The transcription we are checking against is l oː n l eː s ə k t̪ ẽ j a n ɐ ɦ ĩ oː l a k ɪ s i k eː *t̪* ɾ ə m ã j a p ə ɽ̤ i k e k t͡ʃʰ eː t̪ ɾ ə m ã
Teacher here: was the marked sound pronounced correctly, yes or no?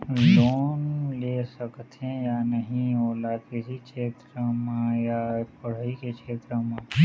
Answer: yes